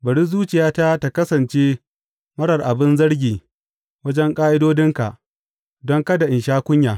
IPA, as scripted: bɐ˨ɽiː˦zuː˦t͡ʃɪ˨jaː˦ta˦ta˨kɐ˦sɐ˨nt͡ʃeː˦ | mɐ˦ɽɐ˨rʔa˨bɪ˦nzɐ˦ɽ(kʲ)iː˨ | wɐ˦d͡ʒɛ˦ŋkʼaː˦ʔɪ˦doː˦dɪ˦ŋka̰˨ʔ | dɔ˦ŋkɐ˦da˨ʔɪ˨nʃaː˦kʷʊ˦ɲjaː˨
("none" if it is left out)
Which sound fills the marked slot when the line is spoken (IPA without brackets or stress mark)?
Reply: ɡʲ